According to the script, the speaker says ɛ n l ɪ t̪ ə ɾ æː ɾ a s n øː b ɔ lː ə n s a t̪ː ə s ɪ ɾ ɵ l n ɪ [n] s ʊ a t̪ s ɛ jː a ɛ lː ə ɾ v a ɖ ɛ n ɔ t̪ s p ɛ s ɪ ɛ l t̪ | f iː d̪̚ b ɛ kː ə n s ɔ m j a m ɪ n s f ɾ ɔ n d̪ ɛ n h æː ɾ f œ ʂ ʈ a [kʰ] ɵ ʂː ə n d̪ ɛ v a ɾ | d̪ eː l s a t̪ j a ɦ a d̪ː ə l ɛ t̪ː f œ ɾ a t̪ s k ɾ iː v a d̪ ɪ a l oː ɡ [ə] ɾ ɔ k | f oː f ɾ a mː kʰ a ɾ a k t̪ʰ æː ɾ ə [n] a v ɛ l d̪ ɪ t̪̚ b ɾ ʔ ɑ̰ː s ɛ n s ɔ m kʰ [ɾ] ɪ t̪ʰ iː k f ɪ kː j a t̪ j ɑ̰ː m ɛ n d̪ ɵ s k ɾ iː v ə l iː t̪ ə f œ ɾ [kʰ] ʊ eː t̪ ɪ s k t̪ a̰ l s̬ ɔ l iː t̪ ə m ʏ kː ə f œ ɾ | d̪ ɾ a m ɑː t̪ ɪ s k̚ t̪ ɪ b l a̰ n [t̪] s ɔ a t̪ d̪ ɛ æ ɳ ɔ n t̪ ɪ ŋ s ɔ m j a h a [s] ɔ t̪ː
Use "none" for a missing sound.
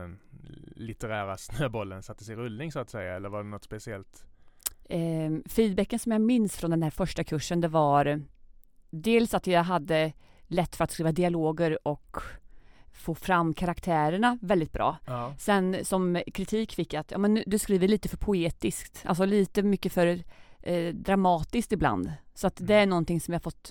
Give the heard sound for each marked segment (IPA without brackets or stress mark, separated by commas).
ŋ, kʰ, ə, ɳ, ɾ, pʰ, d̪, f